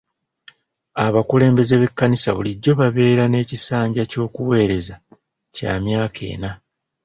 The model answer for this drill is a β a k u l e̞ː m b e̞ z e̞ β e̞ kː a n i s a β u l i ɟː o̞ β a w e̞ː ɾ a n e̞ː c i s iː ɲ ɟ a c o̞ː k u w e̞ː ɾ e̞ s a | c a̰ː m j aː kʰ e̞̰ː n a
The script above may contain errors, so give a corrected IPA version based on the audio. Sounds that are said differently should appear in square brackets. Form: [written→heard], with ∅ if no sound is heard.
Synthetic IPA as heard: a β a k u l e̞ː m b e̞ z e̞ β e̞ kː a n i s a β u l i ɟː o̞ β a [w→β] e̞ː ɾ a n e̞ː c i s [iː→aː] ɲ ɟ a c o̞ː k u w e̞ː ɾ e̞ [s→z] a | c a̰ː m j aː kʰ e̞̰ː n a